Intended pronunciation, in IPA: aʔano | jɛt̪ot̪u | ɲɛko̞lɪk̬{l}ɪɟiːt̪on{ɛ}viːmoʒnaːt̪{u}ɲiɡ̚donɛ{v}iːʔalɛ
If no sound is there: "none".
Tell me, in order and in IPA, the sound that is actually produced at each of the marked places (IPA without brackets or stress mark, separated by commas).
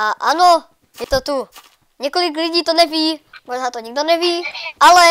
l, ɛ, o, v